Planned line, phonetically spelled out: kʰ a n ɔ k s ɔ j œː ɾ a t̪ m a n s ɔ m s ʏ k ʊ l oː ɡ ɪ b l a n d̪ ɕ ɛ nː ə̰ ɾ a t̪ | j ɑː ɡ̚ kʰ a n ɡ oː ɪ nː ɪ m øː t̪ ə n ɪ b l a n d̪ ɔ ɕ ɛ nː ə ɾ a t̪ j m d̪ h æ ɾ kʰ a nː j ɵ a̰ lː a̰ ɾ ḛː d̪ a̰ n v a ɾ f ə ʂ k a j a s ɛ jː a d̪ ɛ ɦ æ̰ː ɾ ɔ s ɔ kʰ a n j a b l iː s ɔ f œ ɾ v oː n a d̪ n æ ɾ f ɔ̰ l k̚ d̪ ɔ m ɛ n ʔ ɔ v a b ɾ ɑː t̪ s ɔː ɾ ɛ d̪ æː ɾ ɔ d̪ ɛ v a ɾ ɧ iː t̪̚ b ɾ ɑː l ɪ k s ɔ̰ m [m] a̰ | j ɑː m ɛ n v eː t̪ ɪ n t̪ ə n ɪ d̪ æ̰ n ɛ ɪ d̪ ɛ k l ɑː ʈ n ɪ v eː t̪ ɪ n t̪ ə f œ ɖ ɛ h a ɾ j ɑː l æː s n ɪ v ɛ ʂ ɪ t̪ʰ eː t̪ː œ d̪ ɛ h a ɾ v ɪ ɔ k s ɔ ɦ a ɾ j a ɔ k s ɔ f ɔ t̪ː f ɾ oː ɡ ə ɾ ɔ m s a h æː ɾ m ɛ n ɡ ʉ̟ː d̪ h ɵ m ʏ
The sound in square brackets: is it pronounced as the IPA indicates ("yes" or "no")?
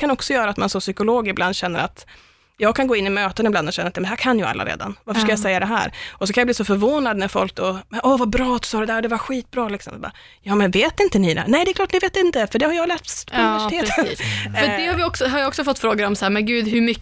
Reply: no